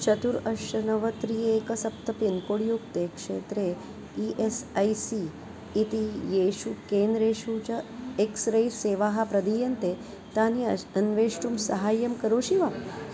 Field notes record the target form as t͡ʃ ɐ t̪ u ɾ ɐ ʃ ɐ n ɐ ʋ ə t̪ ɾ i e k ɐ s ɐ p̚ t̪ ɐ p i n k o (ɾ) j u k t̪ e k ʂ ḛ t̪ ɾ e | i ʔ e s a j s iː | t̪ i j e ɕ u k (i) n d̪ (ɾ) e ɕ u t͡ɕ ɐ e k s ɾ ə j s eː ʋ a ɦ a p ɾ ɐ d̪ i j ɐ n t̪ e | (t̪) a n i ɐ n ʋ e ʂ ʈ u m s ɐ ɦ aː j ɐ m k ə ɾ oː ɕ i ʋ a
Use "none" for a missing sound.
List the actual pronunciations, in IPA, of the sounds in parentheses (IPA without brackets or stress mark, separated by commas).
ɽ, e, ɾ, t̪